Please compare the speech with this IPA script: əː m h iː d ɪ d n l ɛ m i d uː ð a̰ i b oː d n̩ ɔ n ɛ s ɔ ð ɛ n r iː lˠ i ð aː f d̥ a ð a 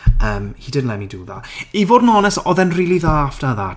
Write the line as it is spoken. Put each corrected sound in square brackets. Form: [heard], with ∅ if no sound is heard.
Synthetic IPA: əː m h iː d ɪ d n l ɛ m i d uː ð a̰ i [v] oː d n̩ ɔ n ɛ s ɔ ð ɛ n r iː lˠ i ð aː f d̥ a ð a